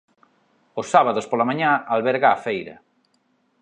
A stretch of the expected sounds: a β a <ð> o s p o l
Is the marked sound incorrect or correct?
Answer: correct